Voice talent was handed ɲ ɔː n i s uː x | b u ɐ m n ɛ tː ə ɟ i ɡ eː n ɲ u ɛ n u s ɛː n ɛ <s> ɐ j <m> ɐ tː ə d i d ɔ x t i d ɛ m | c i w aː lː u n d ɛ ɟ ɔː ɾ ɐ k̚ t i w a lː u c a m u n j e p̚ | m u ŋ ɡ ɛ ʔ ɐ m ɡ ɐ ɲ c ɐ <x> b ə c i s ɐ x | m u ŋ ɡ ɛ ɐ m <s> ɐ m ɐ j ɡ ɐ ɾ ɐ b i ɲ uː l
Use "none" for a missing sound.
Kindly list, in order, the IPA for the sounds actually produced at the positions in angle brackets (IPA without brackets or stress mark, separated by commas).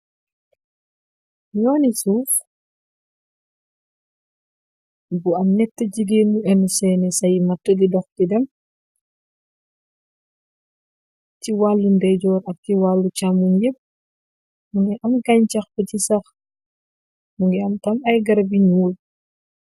s, m, x, t